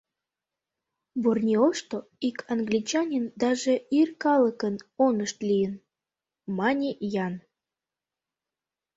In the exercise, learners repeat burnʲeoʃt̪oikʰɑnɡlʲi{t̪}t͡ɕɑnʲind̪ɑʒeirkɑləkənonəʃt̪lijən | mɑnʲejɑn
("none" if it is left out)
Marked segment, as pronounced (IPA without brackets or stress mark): none